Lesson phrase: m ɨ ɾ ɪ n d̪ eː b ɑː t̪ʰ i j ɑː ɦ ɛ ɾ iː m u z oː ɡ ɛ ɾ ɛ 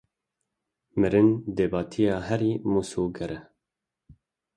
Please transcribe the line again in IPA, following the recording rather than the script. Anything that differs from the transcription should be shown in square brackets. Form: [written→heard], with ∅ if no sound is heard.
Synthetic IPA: m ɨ ɾ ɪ n d̪ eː b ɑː t̪ʰ i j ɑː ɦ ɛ ɾ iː m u [z→s] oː ɡ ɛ ɾ ɛ